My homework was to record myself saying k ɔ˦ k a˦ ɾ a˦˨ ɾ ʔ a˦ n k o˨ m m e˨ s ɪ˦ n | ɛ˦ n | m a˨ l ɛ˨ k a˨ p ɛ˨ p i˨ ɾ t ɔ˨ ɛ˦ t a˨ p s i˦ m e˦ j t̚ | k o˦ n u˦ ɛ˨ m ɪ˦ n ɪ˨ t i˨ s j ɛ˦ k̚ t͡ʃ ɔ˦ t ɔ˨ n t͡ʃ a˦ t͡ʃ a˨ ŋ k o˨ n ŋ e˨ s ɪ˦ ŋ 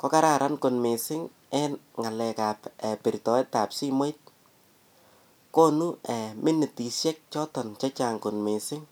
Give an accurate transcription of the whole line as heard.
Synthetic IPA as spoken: k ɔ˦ k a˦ ɾ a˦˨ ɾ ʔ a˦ n k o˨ n m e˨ s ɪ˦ ŋ | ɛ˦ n | ŋ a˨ l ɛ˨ k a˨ p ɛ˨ p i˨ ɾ t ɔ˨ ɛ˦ t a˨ p s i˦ m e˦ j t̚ | k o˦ n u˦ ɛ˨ m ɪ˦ n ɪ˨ t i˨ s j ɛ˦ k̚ t͡ʃ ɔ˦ t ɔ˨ n t͡ʃ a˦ t͡ʃ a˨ ŋ k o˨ n m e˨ s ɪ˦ ŋ